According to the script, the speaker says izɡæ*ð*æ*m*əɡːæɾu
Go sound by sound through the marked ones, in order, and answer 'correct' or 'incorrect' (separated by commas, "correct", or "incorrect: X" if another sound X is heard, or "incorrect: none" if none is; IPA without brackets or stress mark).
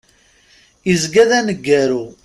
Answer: correct, incorrect: n